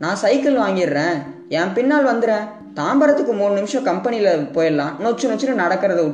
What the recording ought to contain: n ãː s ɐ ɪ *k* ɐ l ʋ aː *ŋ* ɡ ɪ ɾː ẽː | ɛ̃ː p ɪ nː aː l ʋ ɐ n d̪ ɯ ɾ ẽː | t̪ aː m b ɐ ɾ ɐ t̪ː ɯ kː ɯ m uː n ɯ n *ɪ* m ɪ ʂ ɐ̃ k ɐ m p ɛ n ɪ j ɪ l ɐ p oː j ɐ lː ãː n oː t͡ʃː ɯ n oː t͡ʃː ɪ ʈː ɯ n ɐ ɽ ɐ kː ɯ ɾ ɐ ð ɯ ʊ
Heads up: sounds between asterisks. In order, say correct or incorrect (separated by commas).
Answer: correct, correct, correct